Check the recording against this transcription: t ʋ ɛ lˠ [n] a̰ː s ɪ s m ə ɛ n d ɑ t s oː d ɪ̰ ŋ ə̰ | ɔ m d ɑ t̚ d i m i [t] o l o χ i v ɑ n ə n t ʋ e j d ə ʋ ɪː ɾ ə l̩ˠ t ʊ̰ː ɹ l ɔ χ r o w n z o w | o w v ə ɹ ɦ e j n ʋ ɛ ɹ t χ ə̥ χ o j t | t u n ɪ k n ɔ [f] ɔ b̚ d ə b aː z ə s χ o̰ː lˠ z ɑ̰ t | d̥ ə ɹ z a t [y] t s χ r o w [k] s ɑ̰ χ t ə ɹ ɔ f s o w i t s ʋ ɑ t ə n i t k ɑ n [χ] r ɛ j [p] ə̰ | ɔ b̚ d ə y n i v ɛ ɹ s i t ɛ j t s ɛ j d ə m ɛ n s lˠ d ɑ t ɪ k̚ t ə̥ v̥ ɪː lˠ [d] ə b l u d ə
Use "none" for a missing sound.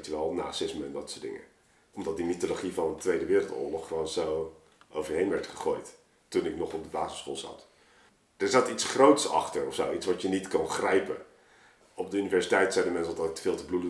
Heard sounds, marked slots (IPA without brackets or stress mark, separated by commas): n, t, χ, i, t, χ, p, t